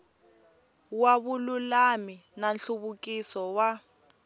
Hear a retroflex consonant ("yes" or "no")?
no